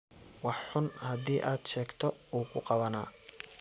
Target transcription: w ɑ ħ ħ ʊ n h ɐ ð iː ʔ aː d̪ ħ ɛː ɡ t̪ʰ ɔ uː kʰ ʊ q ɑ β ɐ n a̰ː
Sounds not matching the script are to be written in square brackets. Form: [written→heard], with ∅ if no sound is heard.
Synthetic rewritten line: w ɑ ħ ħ ʊ n h ɐ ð iː ʔ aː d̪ [ħ→ʃ] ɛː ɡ t̪ʰ ɔ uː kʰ ʊ q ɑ β ɐ n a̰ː